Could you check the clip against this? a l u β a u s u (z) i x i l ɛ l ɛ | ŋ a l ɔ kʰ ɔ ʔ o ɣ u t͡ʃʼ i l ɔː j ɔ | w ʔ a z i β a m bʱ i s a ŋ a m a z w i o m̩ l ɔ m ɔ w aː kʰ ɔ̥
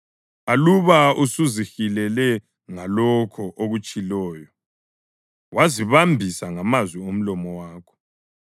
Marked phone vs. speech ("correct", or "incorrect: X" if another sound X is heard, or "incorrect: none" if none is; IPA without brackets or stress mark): correct